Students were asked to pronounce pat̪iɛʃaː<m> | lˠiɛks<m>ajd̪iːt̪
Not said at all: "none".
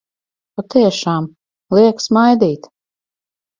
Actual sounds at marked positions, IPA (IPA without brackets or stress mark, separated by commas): m, m